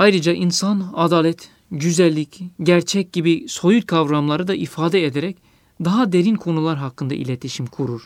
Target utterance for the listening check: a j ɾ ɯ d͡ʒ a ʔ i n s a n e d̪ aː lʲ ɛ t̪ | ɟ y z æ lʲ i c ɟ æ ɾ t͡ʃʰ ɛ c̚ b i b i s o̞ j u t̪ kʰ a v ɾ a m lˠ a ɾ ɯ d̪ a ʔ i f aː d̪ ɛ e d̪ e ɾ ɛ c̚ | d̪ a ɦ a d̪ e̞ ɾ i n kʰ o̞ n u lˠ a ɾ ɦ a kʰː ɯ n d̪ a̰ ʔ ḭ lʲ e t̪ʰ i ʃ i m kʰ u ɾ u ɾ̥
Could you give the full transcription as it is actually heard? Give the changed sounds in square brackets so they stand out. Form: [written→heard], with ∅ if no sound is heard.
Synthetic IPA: a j ɾ ɯ d͡ʒ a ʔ i n s a n [e→a] d̪ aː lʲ ɛ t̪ | ɟ y z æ [lʲ→lʲː] i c ɟ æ ɾ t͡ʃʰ ɛ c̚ [b→ɟ] i b i s o̞ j u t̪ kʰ a v ɾ a m lˠ a ɾ ɯ d̪ a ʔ i f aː d̪ ɛ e d̪ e ɾ ɛ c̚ | d̪ a ɦ a d̪ e̞ ɾ i n kʰ o̞ n u lˠ a ɾ ɦ a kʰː ɯ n d̪ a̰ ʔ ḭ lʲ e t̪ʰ i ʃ i m kʰ u ɾ u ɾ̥